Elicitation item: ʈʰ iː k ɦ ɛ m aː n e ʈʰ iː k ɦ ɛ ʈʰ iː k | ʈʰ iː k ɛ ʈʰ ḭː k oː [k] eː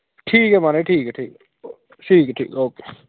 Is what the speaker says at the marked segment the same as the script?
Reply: yes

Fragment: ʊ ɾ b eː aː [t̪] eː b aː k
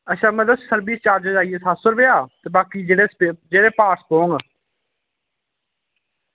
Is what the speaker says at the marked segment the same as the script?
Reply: yes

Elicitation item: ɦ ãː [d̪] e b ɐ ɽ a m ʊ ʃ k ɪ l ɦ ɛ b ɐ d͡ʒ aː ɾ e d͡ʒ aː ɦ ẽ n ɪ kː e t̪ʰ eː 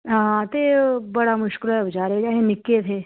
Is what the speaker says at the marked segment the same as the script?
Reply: no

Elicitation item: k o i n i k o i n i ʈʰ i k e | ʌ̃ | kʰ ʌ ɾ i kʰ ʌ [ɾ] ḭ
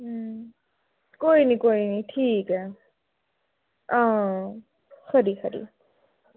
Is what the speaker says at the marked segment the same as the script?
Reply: yes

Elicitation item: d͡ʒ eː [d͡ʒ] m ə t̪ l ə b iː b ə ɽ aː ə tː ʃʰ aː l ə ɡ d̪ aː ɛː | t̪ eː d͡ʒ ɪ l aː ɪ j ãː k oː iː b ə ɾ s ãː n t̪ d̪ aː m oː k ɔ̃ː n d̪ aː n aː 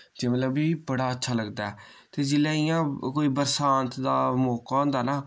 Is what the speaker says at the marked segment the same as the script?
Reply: no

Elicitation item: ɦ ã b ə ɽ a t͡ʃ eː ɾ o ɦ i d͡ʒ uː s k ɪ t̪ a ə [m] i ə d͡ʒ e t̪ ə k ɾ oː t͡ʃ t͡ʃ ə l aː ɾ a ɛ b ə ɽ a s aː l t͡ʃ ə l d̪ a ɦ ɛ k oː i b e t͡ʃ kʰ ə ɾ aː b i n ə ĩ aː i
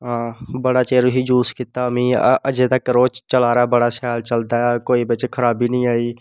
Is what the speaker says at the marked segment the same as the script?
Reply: yes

